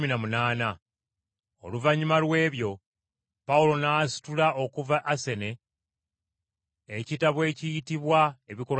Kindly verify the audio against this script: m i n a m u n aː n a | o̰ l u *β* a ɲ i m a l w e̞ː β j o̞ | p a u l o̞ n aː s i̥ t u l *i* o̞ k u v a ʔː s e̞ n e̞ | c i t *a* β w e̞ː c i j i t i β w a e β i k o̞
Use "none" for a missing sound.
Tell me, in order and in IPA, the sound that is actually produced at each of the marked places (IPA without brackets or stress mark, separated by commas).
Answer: v, a, a